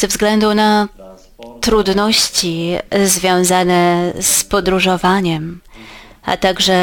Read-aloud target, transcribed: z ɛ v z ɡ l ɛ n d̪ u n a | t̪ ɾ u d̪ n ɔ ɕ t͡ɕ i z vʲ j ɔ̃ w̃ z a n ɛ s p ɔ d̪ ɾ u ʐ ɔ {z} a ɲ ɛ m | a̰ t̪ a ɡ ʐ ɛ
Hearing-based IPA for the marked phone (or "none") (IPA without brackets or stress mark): v